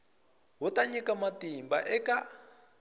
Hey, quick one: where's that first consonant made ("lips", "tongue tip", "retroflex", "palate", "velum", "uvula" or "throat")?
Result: throat